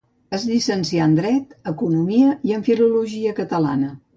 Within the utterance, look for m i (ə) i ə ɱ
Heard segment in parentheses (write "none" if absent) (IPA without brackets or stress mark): ə